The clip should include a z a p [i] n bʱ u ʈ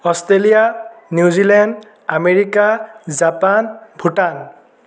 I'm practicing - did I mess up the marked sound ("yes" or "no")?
yes